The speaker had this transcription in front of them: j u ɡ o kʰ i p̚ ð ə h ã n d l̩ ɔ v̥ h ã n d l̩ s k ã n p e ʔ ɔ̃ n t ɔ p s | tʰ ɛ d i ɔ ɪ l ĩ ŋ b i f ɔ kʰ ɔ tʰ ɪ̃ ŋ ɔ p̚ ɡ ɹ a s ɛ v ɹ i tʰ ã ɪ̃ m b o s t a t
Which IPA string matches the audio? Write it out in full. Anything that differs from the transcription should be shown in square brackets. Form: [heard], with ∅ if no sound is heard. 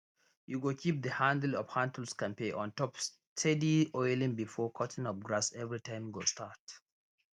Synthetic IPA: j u ɡ o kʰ i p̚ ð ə h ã n d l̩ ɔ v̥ h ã n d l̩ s k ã n p e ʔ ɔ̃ n t ɔ p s | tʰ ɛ d i ɔ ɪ l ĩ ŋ b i f ɔ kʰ ɔ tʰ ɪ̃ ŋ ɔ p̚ ɡ ɹ a s ɛ v ɹ i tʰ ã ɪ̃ m [ɡ] o s t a t